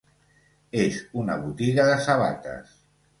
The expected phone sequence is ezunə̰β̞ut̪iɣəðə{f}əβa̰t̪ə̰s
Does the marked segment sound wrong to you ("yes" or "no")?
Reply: yes